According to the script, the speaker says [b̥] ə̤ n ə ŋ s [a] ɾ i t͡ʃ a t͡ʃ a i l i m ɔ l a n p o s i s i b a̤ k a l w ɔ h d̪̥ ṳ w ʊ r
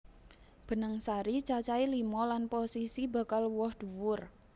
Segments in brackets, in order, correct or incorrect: correct, correct

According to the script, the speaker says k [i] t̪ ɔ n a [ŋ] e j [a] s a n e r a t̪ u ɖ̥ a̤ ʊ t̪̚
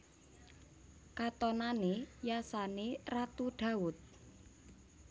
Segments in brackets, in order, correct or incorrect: incorrect, incorrect, correct

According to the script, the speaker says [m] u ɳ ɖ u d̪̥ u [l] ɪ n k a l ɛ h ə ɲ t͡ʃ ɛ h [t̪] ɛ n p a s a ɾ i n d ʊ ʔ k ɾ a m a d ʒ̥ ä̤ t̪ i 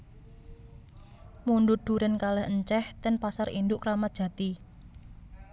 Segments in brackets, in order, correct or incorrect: correct, incorrect, correct

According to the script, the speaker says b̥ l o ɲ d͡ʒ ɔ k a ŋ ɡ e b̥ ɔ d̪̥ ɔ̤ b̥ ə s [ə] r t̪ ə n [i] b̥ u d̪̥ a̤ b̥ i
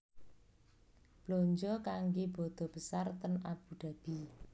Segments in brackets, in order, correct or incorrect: incorrect, incorrect

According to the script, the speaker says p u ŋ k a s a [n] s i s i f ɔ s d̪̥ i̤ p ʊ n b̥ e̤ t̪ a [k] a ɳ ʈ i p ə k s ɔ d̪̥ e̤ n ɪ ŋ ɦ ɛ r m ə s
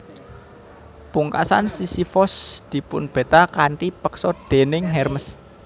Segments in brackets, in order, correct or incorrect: correct, correct

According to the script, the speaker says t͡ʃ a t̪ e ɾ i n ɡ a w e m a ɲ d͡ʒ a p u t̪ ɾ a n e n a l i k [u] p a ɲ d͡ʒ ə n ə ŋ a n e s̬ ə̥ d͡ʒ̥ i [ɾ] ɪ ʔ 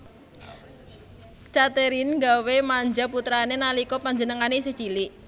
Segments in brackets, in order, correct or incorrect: incorrect, incorrect

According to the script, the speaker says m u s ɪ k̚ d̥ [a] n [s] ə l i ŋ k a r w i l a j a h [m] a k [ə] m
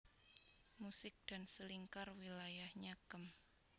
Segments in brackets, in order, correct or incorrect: correct, correct, incorrect, correct

